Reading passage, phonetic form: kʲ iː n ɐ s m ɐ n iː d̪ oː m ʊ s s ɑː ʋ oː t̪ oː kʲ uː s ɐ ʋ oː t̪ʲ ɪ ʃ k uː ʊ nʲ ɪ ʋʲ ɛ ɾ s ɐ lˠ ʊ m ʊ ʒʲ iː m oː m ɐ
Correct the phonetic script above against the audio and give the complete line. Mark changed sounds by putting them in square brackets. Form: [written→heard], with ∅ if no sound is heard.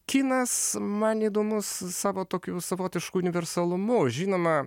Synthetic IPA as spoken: kʲ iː n ɐ s m ɐ n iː d̪ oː m ʊ s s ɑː ʋ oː t̪ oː kʲ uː s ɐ ʋ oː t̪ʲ ɪ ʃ k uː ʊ nʲ ɪ ʋʲ ɛ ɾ s ɐ lˠ ʊ m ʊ ʒʲ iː [m→n] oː m ɐ